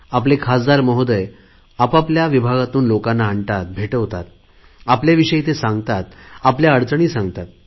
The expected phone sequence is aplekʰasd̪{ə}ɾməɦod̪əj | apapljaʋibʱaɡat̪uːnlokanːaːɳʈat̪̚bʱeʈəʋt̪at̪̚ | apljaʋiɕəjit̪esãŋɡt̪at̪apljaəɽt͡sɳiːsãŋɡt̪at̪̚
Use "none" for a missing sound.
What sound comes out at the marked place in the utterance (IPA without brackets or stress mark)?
a